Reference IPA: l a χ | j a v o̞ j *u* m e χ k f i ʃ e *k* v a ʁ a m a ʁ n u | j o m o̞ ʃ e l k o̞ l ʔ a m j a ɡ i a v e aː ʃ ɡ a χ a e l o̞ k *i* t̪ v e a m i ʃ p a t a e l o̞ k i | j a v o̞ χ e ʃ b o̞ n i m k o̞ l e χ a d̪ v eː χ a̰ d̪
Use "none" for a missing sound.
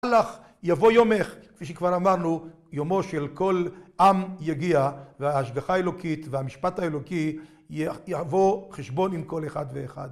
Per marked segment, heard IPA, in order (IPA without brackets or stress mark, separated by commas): o, k, i